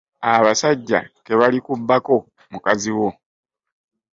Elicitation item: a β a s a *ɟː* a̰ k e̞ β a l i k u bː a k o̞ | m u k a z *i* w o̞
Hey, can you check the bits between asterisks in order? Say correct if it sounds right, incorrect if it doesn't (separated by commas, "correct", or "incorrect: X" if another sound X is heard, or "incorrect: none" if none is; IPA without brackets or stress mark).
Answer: correct, correct